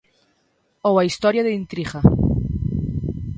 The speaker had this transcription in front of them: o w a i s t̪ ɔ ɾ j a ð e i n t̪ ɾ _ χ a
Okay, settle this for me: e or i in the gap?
i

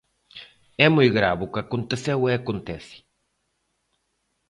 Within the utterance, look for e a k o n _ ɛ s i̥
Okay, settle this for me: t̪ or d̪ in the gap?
t̪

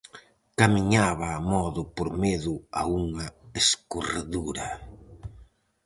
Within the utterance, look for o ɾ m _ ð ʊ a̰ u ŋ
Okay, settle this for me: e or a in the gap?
e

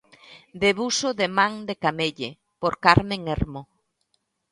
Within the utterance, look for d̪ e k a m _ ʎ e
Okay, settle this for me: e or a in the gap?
e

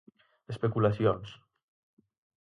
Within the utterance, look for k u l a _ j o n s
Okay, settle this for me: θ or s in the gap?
s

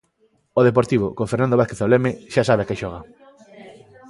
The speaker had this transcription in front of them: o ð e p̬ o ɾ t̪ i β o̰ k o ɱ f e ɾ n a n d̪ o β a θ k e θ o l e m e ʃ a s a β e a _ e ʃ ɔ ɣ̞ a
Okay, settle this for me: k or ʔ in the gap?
k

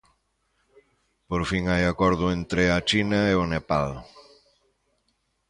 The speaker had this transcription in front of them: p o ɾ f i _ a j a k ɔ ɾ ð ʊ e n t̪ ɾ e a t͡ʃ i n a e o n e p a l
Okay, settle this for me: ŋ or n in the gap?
ŋ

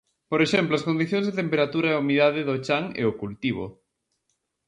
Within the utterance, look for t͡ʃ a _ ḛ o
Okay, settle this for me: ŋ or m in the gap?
ŋ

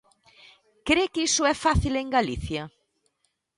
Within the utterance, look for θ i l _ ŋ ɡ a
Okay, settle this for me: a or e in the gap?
e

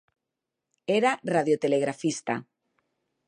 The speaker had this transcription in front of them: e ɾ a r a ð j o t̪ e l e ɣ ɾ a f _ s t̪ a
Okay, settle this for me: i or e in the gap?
i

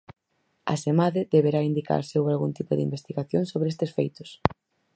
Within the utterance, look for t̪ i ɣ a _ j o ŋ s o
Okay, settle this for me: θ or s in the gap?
θ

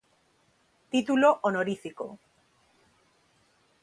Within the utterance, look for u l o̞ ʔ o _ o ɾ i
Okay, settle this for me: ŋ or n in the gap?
n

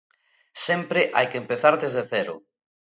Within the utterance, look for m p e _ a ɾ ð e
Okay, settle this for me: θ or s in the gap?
θ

